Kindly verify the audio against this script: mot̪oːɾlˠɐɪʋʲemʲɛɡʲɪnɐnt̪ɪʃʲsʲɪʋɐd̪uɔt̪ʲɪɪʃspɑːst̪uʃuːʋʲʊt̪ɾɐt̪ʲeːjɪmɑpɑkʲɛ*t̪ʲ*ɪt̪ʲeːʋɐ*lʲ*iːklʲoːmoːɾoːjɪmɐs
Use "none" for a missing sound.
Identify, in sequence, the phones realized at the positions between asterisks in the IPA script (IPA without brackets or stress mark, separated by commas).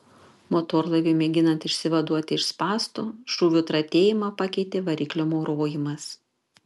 none, ɾʲ